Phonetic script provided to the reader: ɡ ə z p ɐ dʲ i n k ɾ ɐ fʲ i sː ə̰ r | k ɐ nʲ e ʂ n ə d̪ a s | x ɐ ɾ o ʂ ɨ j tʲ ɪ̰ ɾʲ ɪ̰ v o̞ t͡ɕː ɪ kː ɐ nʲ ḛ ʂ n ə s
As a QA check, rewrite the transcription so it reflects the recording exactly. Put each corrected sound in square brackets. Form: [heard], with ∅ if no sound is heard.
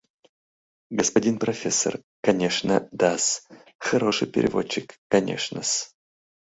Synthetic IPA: ɡ ə [s] p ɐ dʲ i n [p] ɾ ɐ fʲ [e] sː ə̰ r | k ɐ nʲ e ʂ n ə d̪ a s | x ɐ ɾ o ʂ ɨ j [pʲ] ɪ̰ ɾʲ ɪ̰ v o̞ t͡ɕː ɪ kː ɐ nʲ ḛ ʂ n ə s